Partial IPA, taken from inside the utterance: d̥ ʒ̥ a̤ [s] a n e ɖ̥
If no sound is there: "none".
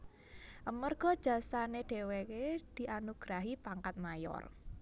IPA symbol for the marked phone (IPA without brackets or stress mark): s